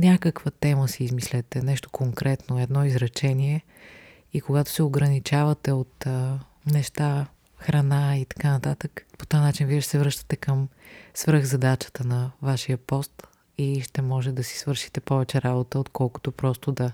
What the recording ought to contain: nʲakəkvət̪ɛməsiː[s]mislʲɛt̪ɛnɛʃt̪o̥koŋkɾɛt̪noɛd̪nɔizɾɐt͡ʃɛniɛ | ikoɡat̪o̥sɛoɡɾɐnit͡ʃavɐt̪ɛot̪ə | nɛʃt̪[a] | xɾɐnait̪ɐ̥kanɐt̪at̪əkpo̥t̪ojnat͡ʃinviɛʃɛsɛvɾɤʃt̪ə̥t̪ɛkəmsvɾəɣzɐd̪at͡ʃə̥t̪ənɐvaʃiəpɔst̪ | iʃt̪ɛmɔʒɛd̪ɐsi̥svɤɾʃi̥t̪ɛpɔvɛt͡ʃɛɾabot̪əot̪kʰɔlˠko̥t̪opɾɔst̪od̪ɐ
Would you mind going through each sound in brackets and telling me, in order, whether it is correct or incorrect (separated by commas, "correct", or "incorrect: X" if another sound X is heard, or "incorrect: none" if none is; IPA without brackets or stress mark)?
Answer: incorrect: z, correct